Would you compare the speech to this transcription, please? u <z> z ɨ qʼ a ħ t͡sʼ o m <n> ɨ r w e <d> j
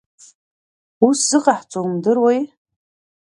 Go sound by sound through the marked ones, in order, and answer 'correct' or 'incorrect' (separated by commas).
incorrect, incorrect, incorrect